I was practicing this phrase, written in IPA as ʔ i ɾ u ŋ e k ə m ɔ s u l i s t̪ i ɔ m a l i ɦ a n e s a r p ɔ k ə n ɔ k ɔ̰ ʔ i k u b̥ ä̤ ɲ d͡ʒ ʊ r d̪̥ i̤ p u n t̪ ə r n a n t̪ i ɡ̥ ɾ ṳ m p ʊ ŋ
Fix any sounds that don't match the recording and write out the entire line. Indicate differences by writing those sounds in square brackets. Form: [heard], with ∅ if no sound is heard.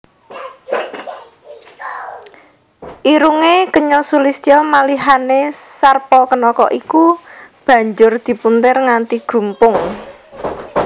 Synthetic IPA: ʔ i ɾ u ŋ e k ə [ɲ] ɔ s u l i s t̪ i ɔ m a l i ɦ a n e s a r p ɔ k ə n ɔ k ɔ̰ ʔ i k u b̥ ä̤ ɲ d͡ʒ ʊ r d̪̥ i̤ p u n t̪ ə r [ŋ] a n t̪ i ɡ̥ ɾ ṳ m p ʊ ŋ